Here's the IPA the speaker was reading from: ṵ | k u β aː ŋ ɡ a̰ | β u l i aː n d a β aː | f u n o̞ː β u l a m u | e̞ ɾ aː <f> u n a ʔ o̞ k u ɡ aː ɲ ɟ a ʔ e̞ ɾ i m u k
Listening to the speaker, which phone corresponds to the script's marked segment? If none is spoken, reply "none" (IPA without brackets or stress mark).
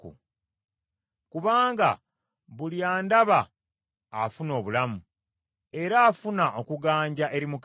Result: f